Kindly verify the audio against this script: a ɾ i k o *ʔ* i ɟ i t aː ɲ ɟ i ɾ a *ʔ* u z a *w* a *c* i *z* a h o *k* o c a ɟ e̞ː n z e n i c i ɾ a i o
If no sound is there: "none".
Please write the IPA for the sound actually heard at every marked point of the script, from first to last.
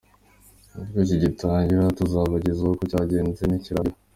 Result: c, t, β, ɟ, z, k

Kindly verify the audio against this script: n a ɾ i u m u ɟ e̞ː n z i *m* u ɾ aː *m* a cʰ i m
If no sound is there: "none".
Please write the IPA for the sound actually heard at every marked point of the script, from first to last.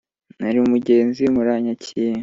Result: m, ɲ

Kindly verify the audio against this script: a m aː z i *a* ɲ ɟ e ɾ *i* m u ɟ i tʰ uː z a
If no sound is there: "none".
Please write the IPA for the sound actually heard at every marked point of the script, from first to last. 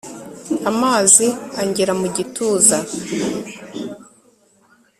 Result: a, a

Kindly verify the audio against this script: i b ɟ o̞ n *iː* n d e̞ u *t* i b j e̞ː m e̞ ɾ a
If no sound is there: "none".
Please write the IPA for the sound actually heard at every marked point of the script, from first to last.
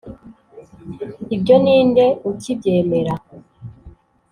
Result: iː, c

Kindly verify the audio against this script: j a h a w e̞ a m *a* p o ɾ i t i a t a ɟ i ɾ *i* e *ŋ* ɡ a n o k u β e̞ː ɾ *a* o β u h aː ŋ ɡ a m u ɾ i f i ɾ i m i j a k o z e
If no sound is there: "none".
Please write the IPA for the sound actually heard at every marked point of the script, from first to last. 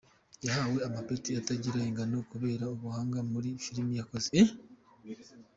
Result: a, a, ŋ, a

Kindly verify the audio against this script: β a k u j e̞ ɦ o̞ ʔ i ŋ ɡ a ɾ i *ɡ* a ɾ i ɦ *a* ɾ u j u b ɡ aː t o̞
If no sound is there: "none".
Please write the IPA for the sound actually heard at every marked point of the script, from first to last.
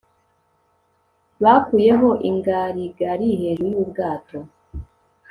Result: ɡ, e

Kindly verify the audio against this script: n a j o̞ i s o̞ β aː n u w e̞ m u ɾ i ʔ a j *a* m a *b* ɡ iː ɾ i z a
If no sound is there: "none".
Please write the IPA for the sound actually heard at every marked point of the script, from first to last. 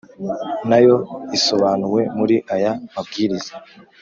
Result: a, b

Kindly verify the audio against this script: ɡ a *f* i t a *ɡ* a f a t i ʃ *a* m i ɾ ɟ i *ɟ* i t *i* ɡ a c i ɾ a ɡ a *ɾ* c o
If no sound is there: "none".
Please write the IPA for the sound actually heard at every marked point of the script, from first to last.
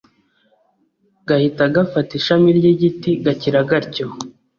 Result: h, ɡ, a, ɟ, i, ɾ

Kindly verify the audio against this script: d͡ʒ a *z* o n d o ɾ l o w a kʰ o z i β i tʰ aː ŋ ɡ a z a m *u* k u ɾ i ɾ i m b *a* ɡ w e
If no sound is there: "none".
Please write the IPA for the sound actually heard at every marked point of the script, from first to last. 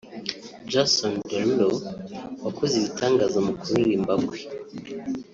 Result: s, u, a

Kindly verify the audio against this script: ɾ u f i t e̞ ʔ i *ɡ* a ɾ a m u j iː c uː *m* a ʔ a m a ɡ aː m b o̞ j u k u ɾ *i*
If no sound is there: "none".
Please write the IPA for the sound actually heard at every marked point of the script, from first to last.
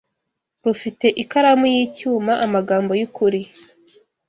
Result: k, m, i

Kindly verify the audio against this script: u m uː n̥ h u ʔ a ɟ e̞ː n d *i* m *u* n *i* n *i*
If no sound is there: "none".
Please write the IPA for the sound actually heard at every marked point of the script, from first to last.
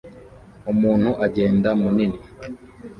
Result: a, u, i, i

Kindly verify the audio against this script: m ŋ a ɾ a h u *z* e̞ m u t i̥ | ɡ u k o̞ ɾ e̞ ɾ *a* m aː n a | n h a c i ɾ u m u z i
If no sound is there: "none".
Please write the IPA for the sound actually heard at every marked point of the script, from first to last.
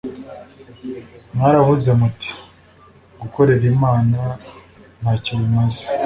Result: z, i

